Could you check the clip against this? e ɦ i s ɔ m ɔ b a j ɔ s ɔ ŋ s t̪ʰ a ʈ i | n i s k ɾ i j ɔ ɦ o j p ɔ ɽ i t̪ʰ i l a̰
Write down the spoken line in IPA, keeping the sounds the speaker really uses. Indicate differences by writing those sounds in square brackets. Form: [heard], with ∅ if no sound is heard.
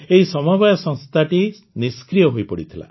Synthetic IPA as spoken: e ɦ i s ɔ m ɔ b a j ɔ s ɔ ŋ s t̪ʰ a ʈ i | n i s k ɾ i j ɔ ɦ o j p ɔ ɽ i t̪ʰ i l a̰